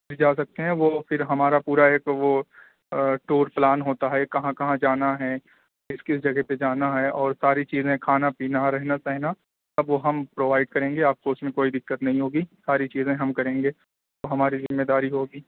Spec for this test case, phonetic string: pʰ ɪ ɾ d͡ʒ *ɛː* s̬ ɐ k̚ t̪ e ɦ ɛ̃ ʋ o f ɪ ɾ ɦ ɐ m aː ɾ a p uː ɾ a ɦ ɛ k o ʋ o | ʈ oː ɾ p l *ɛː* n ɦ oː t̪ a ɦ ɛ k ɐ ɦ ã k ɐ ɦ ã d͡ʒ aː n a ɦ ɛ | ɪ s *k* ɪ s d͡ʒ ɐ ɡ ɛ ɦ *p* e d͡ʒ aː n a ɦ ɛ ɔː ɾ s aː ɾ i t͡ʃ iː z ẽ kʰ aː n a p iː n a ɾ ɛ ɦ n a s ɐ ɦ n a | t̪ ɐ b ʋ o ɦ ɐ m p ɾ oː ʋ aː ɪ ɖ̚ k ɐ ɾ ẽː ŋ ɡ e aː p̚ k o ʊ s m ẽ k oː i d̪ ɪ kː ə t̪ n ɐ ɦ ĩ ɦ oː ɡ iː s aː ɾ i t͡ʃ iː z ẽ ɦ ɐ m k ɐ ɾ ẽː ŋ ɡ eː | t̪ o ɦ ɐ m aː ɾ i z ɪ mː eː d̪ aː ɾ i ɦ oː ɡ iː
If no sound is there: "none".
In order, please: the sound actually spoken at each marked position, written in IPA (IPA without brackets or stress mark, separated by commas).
aː, aː, k, p